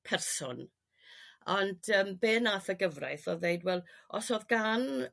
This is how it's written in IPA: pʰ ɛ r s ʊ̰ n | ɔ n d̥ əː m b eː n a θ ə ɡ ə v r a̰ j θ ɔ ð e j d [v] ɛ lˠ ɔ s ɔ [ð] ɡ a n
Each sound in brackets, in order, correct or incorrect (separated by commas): incorrect, correct